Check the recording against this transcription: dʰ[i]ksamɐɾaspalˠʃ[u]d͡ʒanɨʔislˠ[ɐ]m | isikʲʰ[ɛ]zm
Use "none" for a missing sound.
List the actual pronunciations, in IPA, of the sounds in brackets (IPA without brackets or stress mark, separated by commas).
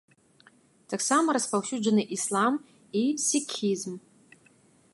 a, u, a, i